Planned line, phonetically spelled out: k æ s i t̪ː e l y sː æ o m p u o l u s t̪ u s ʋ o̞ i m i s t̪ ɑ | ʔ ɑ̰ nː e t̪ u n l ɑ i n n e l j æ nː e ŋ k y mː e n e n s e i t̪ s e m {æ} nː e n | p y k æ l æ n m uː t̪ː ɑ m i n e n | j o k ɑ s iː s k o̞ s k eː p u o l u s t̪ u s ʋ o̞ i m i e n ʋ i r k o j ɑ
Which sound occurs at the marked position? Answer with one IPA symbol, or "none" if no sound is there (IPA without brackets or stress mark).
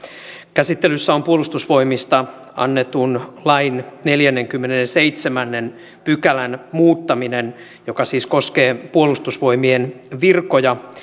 æ